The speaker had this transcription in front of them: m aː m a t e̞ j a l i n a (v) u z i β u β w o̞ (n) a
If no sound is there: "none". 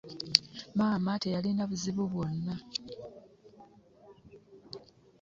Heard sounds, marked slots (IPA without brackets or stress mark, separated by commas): β, nː